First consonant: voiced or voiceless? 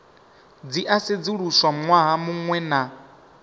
voiced